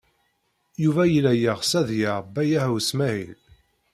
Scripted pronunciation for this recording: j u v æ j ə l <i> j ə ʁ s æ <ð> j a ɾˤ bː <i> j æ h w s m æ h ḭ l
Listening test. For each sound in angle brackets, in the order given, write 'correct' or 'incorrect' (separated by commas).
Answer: incorrect, correct, incorrect